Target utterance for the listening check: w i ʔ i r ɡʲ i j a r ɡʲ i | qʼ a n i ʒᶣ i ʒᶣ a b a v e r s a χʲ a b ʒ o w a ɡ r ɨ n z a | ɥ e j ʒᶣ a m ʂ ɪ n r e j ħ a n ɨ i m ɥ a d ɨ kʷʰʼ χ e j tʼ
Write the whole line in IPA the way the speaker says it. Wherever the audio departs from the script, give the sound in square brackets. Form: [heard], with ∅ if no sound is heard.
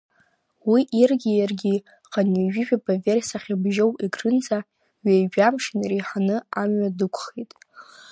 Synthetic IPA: w i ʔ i r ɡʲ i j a r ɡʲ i | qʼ a n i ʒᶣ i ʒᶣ a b a v e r s a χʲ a b ʒ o w [i] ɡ r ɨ n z a | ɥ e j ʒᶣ a m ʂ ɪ n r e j ħ a n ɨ [a] m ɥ a d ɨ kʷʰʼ χ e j tʼ